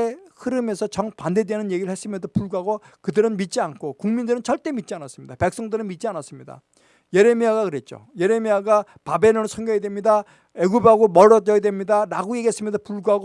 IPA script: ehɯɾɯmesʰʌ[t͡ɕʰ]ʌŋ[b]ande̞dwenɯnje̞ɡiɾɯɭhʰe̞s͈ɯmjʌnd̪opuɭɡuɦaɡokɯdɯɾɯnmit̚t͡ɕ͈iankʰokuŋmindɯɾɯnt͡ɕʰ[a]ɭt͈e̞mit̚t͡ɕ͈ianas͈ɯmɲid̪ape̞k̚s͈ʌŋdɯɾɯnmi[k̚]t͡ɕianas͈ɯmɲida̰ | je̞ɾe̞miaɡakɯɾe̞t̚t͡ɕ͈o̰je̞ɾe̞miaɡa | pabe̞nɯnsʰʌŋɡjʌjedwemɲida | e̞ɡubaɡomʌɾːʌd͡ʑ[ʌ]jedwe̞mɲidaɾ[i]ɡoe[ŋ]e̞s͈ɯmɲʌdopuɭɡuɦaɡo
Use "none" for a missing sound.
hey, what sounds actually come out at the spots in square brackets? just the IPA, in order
t͡ɕ, p, ʌ, t̚, ʌ, a, ɡ

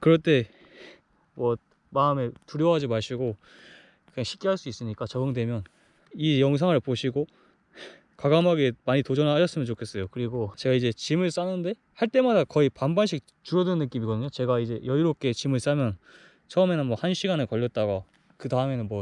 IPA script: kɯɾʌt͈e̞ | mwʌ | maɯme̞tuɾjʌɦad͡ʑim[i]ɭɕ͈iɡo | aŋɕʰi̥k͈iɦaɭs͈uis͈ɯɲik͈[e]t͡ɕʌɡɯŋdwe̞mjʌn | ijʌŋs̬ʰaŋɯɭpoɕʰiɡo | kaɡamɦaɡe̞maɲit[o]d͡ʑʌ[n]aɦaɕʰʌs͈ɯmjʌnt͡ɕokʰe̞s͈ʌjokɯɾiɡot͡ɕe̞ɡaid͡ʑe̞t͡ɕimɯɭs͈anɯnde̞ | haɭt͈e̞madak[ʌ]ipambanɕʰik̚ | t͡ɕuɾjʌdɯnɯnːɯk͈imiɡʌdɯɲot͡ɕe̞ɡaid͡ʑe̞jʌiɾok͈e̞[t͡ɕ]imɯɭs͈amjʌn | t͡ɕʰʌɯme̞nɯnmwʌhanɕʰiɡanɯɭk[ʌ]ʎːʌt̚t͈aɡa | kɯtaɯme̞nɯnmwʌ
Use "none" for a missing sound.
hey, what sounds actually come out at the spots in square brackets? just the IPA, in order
a, a, o, n, ʌ, t͡ɕ, ʌ

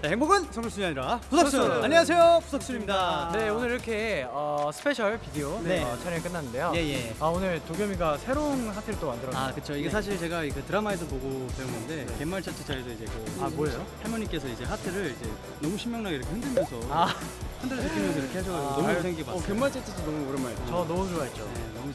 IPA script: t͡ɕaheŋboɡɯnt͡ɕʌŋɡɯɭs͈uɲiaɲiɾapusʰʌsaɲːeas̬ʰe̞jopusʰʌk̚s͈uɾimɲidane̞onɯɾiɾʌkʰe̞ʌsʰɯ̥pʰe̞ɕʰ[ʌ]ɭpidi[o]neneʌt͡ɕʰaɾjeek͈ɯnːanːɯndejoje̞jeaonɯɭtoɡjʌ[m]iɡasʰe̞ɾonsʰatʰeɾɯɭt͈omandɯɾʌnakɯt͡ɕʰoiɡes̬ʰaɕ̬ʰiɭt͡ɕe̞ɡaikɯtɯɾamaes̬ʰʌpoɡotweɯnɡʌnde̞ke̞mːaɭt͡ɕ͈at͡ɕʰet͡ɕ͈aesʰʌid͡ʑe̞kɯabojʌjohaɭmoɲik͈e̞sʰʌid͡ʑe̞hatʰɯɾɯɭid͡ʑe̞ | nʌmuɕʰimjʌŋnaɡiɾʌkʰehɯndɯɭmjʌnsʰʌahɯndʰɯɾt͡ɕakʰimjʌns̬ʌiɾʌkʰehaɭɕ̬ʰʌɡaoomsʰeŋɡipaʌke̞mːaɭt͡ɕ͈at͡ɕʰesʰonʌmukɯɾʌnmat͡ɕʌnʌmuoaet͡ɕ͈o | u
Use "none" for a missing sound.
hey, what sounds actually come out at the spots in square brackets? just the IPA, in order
ʌ, o, m

